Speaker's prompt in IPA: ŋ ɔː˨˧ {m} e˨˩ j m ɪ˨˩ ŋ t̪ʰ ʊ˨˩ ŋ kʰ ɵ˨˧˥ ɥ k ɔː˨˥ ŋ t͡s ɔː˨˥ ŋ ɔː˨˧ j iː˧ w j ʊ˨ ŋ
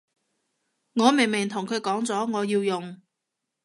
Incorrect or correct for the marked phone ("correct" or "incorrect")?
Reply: correct